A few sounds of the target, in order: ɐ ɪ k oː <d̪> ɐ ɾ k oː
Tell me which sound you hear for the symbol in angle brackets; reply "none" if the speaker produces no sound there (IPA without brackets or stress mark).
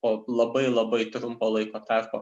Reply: t̪